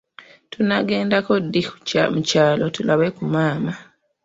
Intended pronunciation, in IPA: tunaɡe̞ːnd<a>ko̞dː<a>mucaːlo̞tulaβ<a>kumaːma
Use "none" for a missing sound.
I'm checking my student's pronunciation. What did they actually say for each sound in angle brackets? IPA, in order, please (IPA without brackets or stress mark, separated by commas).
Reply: a, i, e